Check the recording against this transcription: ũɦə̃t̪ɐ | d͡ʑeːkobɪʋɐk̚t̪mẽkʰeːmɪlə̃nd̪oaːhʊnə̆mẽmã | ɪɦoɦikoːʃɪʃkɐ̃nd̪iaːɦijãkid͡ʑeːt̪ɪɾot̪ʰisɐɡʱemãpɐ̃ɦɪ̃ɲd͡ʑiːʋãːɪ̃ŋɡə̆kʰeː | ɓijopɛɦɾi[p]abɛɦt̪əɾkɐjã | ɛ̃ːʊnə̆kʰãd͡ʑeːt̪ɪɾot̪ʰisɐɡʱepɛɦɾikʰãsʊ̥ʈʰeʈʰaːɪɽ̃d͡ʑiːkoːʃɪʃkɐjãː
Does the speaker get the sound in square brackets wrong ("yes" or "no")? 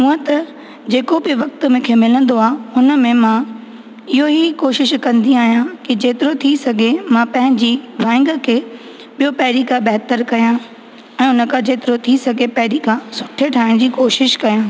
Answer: yes